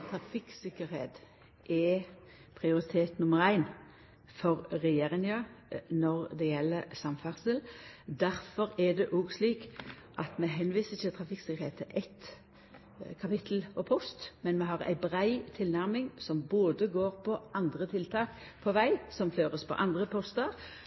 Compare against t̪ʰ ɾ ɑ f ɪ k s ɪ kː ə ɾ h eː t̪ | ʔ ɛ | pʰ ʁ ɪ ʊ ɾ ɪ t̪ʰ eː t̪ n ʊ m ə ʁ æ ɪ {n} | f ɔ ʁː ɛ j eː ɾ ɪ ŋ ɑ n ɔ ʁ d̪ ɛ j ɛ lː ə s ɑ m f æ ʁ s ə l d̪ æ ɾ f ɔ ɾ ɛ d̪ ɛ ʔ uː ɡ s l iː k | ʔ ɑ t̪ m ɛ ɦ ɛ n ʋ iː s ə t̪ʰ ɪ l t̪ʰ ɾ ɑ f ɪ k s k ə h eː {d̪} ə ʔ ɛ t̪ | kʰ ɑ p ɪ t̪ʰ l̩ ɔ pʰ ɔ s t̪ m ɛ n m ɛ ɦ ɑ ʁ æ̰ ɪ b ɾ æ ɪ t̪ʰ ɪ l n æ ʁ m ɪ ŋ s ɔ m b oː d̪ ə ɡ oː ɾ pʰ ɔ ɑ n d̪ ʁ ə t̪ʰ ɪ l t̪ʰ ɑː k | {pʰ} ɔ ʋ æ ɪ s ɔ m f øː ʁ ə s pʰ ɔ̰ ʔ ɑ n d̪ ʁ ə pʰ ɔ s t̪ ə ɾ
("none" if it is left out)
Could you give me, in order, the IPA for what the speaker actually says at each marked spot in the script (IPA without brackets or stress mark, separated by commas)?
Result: n, t̪, pʰ